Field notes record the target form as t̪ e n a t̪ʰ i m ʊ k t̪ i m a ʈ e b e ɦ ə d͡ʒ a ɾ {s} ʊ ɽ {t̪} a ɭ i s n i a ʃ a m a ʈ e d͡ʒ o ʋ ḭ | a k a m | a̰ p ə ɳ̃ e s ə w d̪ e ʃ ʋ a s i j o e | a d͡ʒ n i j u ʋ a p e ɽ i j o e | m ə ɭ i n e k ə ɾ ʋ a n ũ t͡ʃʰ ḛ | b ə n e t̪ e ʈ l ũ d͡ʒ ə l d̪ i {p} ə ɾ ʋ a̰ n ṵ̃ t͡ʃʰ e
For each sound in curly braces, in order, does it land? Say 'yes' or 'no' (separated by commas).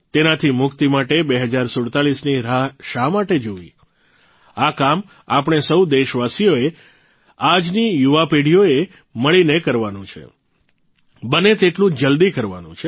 yes, yes, no